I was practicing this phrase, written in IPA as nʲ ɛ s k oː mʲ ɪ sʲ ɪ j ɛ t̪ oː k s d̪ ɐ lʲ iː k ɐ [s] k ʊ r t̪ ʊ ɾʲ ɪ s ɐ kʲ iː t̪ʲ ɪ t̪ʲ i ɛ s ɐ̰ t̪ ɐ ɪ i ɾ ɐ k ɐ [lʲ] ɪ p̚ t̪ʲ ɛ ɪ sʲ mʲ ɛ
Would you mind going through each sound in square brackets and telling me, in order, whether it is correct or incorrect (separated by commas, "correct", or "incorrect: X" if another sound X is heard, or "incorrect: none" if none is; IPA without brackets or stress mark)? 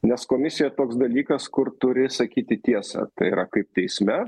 correct, incorrect: none